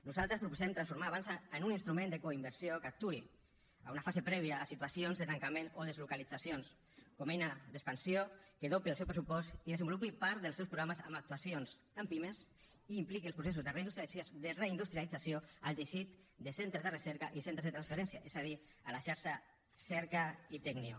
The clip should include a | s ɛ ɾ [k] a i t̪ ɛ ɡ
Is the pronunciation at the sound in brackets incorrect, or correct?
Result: correct